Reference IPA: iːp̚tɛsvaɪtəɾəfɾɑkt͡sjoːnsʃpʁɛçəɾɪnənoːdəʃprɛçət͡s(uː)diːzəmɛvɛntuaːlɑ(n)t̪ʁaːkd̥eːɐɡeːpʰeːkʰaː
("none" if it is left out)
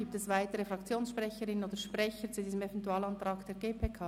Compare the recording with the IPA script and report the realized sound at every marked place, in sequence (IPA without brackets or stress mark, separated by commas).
u, n